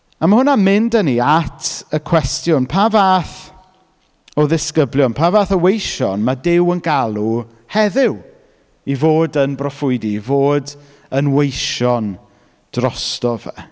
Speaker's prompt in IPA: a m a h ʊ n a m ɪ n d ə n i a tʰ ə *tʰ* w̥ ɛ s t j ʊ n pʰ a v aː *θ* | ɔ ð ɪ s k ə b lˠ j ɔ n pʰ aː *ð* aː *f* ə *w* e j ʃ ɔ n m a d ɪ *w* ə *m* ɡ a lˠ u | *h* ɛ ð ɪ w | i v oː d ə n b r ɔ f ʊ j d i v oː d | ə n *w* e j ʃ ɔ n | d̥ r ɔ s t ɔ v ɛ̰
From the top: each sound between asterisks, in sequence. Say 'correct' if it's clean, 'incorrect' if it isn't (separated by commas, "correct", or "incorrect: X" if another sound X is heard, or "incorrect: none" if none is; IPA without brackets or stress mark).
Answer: incorrect: kʰ, correct, incorrect: v, incorrect: θ, correct, correct, incorrect: n, correct, correct